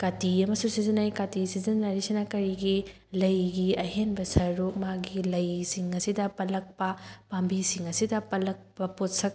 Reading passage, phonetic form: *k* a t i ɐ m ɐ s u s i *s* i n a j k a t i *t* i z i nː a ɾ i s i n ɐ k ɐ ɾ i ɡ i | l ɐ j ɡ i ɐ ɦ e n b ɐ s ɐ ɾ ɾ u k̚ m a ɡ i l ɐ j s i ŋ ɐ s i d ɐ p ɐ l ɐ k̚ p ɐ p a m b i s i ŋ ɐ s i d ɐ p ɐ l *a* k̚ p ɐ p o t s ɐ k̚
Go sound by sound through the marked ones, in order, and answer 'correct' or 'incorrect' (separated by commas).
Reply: correct, incorrect, incorrect, incorrect